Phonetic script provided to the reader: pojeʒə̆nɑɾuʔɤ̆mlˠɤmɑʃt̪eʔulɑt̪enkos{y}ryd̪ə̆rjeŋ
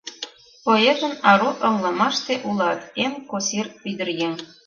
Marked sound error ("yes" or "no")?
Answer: yes